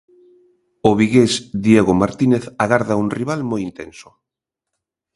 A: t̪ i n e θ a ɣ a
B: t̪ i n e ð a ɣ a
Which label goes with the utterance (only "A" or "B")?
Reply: A